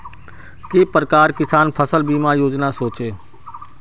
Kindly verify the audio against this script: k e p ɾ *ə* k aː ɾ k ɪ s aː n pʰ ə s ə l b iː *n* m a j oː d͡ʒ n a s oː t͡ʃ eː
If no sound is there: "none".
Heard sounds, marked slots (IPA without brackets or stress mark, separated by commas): ə, none